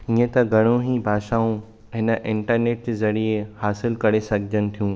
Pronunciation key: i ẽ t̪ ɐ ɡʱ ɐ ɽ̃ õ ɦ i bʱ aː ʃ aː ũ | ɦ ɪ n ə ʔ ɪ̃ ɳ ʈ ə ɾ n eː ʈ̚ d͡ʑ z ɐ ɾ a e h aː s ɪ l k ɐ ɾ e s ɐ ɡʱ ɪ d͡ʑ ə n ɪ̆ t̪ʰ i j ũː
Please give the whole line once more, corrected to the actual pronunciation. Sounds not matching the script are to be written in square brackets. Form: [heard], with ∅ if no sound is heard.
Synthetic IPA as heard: i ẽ t̪ ɐ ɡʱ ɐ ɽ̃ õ ɦ i bʱ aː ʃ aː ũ | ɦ ɪ n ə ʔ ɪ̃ ɳ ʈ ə ɾ n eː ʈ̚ d͡ʑ z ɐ ɾ [i] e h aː s ɪ l k ɐ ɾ e s ɐ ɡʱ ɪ d͡ʑ ə n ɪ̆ t̪ʰ i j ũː